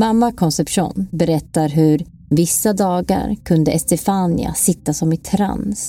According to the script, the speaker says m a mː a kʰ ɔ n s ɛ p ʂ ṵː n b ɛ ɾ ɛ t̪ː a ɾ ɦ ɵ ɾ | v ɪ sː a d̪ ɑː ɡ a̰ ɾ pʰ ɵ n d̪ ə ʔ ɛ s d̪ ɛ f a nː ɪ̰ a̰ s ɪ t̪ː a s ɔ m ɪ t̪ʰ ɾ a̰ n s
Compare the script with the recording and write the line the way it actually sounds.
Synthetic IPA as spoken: m a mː a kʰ ɔ n s ɛ p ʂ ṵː n b ɛ ɾ ɛ t̪ː a ɾ ɦ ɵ ɾ | v ɪ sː a d̪ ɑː ɡ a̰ ɾ kʰ ɵ n d̪ ə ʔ ɛ s t̪ ɛ f a n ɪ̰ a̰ s ɪ t̪ː a s ɔ m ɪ t̪ʰ ɾ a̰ n s